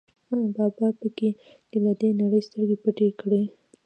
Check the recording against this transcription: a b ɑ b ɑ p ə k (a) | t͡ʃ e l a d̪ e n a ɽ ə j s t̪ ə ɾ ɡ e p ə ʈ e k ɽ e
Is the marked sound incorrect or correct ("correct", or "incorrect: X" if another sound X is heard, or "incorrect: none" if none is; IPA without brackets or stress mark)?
incorrect: e